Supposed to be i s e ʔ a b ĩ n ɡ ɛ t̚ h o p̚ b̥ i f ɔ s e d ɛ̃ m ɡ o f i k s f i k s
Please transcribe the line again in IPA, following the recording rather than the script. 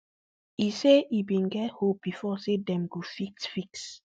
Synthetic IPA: i s e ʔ i b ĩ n ɡ ɛ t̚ h o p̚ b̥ i f ɔ s e d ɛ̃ m ɡ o f i k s f i k s